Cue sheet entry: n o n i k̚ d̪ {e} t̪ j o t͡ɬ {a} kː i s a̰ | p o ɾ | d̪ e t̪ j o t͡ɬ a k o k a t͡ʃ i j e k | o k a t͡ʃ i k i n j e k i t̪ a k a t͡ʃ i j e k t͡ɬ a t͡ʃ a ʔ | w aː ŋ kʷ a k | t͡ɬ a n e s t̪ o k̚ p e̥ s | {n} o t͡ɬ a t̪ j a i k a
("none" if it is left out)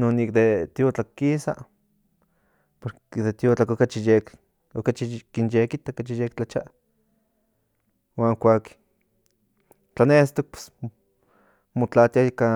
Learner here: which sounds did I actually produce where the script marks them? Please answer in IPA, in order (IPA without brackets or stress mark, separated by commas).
e, a, m